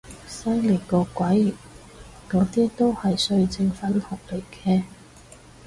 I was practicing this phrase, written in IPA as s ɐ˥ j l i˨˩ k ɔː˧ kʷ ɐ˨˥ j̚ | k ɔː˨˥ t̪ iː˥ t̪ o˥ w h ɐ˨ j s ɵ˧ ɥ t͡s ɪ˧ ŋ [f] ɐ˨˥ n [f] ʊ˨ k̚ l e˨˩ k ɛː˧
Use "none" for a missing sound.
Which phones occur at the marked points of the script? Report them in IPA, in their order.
f, h

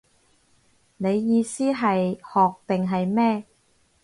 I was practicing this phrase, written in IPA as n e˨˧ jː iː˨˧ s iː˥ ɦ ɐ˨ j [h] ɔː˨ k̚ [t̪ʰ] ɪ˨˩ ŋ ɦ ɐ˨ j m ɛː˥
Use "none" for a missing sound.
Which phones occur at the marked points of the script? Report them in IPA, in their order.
h, t̪

